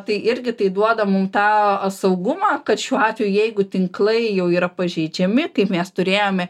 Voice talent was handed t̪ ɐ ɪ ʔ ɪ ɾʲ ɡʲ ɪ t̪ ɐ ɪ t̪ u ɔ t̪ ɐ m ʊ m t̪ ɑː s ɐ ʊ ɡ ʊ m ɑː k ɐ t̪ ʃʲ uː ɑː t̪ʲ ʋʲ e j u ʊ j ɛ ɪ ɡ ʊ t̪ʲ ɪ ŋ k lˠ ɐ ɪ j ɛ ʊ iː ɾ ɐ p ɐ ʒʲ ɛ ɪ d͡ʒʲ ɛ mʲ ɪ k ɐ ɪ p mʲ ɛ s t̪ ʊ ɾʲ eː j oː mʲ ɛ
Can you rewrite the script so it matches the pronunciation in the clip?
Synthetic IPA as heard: t̪ ɐ ɪ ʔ ɪ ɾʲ ɡʲ ɪ t̪ ɐ ɪ d̪ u ɔ d̪ ɐ m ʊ m t̪ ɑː s ɐ ʊ ɡ ʊ m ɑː k ɐ t̪ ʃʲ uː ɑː t̪ʲ ʋʲ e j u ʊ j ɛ ɪ ɡ ʊ t̪ʲ ɪ ŋ k lˠ ɐ ɪ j ɛ ʊ iː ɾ ɐ p ɐ ʒʲ ɛ ɪ d͡ʒʲ ɛ mʲ ɪ k ɐ ɪ p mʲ ɛ s t̪ ʊ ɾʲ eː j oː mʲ ɛ